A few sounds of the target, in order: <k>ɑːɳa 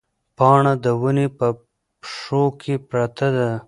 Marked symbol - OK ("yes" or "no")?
no